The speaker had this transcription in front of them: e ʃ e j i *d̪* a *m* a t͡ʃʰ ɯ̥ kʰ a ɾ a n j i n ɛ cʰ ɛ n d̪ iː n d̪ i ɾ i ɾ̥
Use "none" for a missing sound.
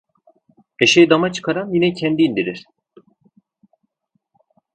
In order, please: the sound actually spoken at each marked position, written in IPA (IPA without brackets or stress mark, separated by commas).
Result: d̪, m